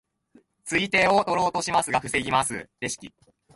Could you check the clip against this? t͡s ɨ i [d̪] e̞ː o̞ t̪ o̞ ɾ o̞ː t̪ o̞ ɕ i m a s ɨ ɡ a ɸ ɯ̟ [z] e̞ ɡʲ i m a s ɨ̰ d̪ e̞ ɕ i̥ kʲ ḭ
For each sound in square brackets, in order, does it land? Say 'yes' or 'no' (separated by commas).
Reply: no, no